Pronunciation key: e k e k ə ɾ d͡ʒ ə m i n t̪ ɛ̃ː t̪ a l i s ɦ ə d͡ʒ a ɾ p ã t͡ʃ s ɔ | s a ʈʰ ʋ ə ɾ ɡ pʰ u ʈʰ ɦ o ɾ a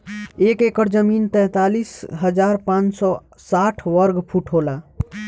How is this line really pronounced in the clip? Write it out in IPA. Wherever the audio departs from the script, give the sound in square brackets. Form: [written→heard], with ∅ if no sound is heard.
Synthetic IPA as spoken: e k e k ə ɾ d͡ʒ ə m i n t̪ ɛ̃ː t̪ a l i s ɦ ə d͡ʒ a ɾ p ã t͡ʃ s ɔ | s a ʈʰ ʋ ə ɾ ɡ pʰ u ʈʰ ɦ o [ɾ→l] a